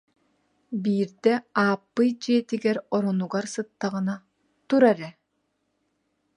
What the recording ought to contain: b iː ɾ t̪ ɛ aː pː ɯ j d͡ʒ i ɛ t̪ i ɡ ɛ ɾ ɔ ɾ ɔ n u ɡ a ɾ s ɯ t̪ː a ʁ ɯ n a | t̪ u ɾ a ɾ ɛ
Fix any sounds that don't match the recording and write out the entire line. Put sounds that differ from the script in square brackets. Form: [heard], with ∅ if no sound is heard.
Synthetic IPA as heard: b iː ɾ [d̪] ɛ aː pː ɯ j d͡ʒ i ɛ t̪ i ɡ ɛ ɾ ɔ ɾ ɔ n u ɡ a ɾ s ɯ t̪ː a ʁ ɯ n a | t̪ u ɾ a ɾ ɛ